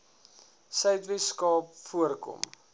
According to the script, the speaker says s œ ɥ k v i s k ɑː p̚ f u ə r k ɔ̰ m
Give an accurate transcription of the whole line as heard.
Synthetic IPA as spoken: s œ ɥ t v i s k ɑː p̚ f u ə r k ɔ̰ m